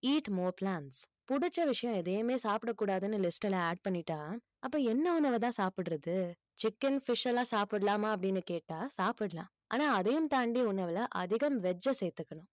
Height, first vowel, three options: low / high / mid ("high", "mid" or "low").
high